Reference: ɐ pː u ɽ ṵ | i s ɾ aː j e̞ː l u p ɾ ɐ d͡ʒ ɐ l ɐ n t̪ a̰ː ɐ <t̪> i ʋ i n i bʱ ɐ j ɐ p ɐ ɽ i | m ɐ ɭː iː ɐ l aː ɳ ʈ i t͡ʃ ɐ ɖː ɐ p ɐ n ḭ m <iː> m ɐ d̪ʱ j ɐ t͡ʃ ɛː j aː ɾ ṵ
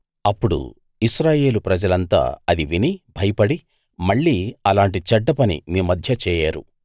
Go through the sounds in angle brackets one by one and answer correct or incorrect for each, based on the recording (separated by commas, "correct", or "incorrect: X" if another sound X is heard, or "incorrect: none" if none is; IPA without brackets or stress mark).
incorrect: d̪, correct